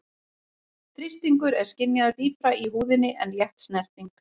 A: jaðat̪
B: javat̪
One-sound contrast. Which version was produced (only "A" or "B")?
A